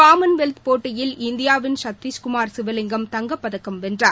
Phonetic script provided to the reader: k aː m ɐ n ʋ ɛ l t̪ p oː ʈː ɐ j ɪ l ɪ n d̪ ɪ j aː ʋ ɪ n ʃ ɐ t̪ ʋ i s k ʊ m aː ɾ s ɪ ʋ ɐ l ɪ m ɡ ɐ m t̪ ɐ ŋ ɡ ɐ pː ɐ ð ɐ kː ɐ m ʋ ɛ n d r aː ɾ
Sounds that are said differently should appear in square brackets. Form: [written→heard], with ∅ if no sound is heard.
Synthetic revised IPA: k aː m ɐ n ʋ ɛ l t̪ p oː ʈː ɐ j ɪ l ɪ n d̪ ɪ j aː ʋ ɪ n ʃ ɐ t̪ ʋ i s k ʊ m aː ɾ s ɪ ʋ ɐ l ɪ [m→ŋ] ɡ ɐ m t̪ ɐ ŋ ɡ ɐ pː ɐ ð ɐ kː ɐ m ʋ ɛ n d r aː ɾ